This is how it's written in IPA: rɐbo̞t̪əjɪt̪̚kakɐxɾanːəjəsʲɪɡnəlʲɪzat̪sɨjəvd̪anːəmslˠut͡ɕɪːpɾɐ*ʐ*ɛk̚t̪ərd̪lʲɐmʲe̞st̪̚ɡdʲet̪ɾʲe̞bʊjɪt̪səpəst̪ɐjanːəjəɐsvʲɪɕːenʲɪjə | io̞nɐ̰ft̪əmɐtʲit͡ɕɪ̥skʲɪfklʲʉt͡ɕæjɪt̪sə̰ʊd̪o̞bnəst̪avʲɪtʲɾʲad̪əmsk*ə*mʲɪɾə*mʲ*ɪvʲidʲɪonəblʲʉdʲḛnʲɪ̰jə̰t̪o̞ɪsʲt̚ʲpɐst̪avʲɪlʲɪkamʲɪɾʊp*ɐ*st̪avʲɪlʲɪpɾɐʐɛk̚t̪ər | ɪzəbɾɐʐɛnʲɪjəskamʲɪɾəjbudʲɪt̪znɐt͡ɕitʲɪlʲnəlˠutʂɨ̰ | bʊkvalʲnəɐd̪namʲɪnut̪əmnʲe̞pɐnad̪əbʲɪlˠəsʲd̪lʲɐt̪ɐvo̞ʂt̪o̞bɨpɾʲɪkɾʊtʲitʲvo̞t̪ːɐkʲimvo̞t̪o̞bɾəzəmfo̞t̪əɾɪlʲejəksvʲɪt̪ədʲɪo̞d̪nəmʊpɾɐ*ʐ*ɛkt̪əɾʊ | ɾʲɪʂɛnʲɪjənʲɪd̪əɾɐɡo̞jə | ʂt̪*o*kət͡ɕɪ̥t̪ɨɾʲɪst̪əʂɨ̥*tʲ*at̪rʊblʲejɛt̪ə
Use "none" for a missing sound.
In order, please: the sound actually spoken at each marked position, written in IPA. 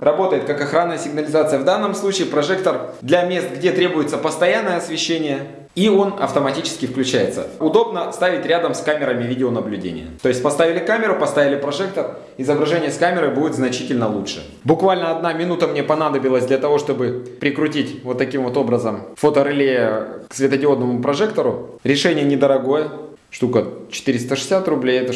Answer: ʐ, a, mʲ, ɐ, ʐ, u, sʲ

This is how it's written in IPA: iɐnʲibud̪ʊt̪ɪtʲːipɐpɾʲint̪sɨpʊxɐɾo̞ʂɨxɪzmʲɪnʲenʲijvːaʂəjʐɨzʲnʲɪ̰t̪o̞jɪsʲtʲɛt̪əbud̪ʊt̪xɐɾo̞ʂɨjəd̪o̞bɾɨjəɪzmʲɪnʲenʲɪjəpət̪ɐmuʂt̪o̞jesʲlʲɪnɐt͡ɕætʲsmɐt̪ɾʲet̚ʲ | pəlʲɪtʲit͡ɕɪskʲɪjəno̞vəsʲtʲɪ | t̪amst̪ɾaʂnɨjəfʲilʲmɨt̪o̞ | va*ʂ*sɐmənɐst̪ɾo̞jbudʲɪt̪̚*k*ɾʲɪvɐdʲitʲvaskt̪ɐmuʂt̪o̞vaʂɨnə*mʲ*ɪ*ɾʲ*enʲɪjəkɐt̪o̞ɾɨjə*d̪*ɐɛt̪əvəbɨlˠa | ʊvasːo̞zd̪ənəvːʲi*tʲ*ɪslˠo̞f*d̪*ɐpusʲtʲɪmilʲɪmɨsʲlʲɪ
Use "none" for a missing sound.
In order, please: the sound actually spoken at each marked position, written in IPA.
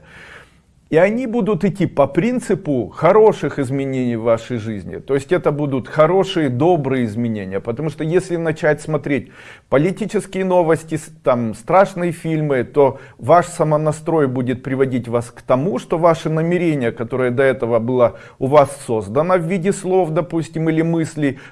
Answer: ʂ, p, mʲ, ɾʲ, d̪, dʲ, d̪

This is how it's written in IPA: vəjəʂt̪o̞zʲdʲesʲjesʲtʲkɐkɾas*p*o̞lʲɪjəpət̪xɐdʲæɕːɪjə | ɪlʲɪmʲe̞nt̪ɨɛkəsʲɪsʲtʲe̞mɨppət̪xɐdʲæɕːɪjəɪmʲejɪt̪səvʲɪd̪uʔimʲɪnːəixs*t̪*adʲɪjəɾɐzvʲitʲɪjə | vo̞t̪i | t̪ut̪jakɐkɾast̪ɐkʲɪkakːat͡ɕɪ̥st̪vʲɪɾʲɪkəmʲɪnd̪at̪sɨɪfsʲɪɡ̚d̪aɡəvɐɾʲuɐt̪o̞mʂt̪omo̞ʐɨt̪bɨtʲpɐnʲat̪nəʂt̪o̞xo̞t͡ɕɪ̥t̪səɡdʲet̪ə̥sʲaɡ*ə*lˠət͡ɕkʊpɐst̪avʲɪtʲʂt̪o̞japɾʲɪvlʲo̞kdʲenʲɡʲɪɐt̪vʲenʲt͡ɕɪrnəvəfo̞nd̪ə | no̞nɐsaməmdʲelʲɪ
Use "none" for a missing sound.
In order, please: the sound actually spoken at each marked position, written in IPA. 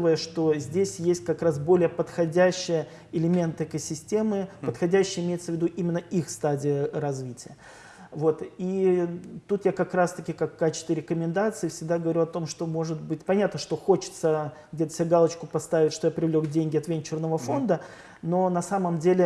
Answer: b, t̪, a

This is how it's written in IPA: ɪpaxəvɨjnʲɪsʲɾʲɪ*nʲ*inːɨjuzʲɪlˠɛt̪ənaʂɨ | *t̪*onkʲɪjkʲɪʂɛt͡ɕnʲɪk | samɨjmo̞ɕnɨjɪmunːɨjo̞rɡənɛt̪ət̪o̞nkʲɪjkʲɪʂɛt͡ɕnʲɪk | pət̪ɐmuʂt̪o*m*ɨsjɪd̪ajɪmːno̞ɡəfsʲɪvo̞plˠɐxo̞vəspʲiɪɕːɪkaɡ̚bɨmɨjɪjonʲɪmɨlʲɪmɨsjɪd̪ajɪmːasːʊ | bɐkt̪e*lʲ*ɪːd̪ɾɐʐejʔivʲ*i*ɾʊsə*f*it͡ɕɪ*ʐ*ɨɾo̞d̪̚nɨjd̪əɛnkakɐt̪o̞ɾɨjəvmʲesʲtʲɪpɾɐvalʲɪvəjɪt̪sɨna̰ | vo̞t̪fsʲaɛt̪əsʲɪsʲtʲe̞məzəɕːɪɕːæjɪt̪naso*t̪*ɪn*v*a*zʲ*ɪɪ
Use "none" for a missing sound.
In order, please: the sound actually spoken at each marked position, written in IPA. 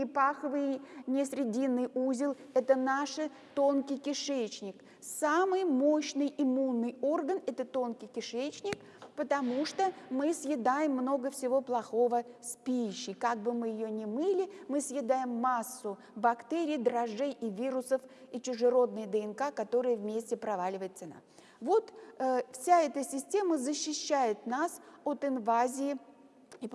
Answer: dʲ, t̪, m, ɾʲ, i, f, ʐ, t̪, v, zʲ

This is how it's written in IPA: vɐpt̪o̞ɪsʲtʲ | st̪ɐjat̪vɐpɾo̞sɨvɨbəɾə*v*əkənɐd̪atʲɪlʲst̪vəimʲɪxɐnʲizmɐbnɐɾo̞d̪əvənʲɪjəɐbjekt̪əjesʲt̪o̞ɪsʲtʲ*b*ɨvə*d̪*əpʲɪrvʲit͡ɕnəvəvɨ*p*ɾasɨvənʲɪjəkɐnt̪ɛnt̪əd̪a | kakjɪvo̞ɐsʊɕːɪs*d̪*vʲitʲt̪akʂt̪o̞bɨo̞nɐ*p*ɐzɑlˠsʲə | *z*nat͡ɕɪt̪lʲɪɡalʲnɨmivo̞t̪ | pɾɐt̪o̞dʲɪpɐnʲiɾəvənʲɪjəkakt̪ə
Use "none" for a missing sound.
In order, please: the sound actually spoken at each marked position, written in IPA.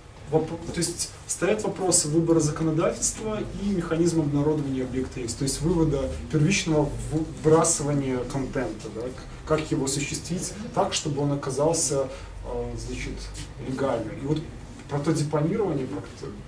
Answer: z, v, d̪, b, t̪, k, z

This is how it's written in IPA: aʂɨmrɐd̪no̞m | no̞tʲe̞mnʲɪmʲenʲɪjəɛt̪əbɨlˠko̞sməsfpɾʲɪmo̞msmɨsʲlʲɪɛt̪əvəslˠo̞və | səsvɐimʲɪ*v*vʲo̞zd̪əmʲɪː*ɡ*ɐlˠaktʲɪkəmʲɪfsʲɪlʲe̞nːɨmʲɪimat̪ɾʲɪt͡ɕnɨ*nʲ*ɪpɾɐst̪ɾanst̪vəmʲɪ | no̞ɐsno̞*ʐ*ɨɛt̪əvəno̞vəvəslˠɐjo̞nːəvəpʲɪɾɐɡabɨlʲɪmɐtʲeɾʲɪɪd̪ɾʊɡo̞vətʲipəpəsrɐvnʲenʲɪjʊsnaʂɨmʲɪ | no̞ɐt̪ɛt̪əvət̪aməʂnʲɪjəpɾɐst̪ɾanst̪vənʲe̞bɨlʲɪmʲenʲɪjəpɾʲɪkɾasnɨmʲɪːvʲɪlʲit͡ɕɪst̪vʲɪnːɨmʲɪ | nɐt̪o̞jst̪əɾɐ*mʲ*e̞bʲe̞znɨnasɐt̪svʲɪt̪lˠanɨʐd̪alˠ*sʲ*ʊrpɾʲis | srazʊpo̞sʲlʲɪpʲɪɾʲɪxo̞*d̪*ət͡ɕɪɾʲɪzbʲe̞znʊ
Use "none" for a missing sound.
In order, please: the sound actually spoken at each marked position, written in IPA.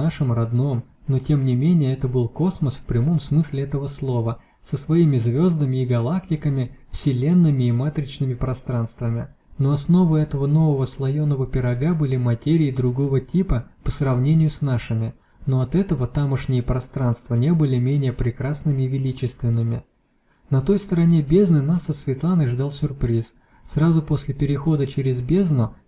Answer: z, ɡ, mʲ, v, nʲ, sʲ, d̪

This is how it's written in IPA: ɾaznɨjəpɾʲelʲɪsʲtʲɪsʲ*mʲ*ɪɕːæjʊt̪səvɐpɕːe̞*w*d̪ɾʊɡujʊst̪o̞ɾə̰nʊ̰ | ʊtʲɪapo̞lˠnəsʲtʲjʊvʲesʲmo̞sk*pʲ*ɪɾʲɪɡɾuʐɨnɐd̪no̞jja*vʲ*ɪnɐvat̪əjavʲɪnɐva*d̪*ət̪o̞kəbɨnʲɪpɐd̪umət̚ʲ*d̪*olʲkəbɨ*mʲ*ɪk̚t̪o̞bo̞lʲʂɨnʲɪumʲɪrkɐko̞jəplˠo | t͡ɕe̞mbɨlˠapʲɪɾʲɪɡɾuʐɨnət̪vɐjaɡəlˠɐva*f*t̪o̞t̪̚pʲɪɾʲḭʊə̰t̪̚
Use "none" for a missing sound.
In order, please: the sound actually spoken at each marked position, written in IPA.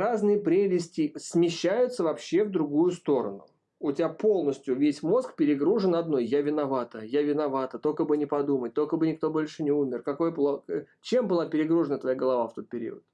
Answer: mʲ, v, pʲ, vʲ, t̪, t̪, nʲ, f

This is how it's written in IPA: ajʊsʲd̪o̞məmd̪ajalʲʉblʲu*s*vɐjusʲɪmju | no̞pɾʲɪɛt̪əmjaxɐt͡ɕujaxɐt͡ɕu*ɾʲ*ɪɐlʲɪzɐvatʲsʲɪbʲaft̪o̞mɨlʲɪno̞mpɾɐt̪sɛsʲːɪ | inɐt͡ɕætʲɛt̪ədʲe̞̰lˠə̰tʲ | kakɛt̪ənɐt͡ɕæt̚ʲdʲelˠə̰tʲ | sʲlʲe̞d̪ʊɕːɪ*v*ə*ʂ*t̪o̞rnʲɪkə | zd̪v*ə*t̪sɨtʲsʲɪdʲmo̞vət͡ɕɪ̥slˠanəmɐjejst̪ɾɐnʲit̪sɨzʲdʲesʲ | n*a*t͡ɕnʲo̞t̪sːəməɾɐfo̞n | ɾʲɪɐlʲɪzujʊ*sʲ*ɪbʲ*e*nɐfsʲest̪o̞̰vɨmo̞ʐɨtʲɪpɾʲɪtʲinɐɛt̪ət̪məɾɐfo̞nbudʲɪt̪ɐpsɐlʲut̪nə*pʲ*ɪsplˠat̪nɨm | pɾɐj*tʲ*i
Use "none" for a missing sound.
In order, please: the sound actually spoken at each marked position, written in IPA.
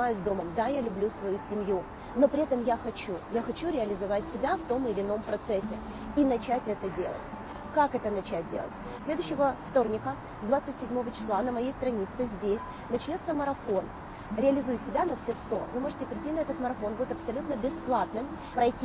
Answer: s, ɾʲ, v, f, a, ɐ, sʲ, a, bʲ, tʲ

